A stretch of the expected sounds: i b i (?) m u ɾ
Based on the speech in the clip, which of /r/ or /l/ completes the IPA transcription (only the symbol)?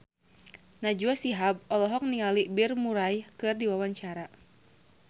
r